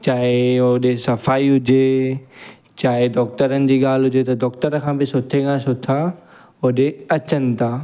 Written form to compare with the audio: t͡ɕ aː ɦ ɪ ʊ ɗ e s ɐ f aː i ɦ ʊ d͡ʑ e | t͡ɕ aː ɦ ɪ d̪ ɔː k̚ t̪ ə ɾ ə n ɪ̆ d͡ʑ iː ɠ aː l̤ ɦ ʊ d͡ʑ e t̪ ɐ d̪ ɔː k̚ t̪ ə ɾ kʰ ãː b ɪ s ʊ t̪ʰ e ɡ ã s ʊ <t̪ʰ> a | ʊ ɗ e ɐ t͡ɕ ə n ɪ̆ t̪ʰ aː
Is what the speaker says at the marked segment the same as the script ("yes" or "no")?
yes